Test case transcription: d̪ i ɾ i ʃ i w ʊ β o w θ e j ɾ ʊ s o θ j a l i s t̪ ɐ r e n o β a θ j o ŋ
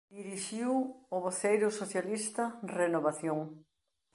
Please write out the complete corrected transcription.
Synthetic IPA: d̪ i ɾ i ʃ i w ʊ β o θ e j ɾ ʊ s o θ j a l i s t̪ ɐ r e n o β a θ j o ŋ